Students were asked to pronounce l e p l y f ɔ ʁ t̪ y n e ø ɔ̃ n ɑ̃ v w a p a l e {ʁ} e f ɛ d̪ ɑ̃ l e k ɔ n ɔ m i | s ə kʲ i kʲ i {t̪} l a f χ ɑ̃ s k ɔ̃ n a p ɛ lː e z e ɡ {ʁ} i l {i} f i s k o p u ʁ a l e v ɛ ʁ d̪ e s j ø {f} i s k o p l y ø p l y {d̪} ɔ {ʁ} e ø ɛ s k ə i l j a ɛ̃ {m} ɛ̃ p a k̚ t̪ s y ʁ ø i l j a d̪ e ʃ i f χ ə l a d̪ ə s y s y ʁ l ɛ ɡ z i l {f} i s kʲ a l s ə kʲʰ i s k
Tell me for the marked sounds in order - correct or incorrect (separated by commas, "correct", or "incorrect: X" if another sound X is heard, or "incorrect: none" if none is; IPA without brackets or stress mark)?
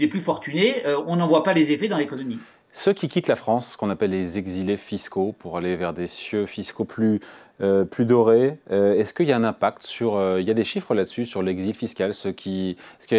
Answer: incorrect: z, correct, incorrect: z, incorrect: e, correct, correct, correct, incorrect: n, correct